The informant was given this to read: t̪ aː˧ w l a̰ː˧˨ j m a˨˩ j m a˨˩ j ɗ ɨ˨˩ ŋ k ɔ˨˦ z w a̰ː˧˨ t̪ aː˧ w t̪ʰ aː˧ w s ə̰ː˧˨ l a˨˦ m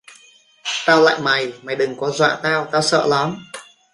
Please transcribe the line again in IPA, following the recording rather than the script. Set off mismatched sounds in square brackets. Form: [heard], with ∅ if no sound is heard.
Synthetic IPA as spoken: t̪ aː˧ w l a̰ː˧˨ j m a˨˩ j m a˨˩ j ɗ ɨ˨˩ ŋ k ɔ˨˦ z w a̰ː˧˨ t̪ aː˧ w [t̪] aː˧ w s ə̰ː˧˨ l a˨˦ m